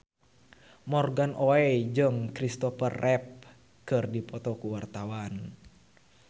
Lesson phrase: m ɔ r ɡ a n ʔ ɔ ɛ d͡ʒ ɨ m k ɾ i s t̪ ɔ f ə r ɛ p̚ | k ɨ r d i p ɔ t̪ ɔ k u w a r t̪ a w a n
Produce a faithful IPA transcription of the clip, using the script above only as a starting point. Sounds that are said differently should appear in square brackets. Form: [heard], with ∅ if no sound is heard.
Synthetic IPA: m ɔ r ɡ a n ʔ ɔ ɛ d͡ʒ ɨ [ŋ] k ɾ i s t̪ ɔ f ə r ɛ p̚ | k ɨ r d i p ɔ t̪ ɔ k u w a r t̪ a w a n

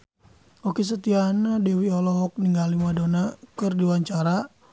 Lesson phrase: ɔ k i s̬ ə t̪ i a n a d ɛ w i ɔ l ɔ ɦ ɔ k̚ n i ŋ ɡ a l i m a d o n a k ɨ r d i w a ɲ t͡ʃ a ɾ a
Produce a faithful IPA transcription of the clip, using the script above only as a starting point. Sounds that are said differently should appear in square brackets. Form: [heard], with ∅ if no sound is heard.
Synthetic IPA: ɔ k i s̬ ə t̪ i a n a d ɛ w i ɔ l ɔ ɦ ɔ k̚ n i ŋ ɡ a l i m a d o n a k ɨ r d i w a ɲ t͡ʃ a ɾ a

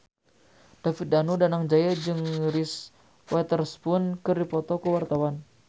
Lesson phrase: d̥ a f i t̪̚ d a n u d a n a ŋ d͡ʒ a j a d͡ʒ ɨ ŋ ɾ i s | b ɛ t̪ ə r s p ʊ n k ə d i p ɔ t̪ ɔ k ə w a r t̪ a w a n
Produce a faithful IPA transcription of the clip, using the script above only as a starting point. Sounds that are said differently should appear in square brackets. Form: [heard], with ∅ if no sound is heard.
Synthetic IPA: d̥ a f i t̪̚ d a n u d a n a ŋ d͡ʒ a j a d͡ʒ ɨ ŋ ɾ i s | [w] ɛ t̪ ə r s p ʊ n k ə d i p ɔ t̪ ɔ k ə w a r t̪ a w a n

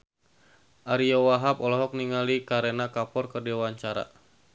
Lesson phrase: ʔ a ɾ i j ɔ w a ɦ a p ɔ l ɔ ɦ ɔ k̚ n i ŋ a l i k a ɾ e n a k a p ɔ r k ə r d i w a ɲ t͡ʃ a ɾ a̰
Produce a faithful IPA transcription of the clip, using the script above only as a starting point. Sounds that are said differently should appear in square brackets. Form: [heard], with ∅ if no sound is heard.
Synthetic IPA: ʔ a ɾ i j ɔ w a ɦ a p ɔ l ɔ ɦ ɔ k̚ n i ŋ a l i k a ɾ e n a k a p ɔ r k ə r d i w a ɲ t͡ʃ a ɾ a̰

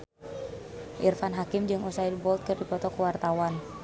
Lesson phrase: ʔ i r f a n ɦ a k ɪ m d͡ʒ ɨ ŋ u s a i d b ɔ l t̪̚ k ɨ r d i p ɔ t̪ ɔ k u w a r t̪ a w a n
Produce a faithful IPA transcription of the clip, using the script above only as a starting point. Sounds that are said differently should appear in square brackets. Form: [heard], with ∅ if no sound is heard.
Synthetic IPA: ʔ i r f a n ɦ a k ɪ m d͡ʒ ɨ ŋ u s a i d b ɔ l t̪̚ k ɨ r d i p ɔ t̪ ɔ k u w a r t̪ a w a n

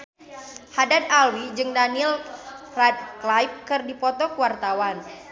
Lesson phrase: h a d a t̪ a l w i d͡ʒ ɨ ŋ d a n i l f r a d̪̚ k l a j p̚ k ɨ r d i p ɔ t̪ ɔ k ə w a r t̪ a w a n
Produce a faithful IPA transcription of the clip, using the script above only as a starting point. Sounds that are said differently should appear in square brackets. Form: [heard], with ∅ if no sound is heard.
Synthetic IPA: h a d a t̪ a l w i d͡ʒ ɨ ŋ d a n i l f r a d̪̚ k l a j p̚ k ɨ r d i p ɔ t̪ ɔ k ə w a r t̪ a w a n

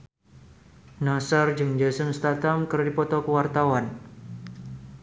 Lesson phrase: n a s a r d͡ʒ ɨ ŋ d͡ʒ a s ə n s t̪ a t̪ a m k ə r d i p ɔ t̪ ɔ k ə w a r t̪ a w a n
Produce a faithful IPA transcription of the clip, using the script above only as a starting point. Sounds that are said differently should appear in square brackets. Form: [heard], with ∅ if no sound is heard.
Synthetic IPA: n a s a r d͡ʒ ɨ ŋ d͡ʒ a s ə n s t̪ a t̪ a m k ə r d i p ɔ t̪ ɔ k ə w a r t̪ a w a n

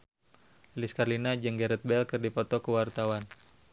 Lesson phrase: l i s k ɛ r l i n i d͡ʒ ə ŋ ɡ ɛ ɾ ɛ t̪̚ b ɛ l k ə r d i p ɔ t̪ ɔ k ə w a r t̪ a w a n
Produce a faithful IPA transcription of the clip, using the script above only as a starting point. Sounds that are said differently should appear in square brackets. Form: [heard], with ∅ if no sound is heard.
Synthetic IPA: l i s k [a] r l i n [a] d͡ʒ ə ŋ ɡ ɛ ɾ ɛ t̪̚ b ɛ l k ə r d i p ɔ t̪ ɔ k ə w a r t̪ a w a n

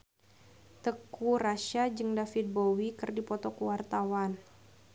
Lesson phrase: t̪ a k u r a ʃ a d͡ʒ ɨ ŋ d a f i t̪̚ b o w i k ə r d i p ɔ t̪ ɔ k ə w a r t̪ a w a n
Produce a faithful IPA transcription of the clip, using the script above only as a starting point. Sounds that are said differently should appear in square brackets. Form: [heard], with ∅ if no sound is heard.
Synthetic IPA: t̪ [ə] k u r a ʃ a d͡ʒ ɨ ŋ d a f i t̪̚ b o w i k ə r d i p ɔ t̪ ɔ k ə w a r t̪ a w a n

